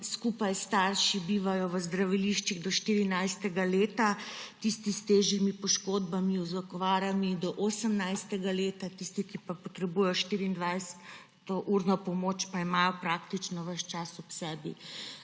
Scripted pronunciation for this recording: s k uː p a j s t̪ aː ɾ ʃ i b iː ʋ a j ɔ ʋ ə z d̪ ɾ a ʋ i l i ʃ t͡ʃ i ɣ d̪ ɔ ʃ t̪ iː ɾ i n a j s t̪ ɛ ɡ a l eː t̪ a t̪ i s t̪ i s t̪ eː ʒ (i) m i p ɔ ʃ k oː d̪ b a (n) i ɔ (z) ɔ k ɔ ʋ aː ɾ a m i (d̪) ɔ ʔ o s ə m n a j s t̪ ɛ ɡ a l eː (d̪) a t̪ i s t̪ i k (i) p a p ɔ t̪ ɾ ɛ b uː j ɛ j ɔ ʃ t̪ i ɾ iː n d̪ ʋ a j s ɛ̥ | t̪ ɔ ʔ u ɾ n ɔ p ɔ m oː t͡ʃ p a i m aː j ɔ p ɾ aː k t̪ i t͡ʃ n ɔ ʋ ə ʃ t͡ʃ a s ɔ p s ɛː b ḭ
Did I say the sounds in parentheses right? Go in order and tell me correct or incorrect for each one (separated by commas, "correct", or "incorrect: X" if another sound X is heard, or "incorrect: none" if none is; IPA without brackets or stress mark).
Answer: correct, incorrect: m, correct, correct, incorrect: t̪, correct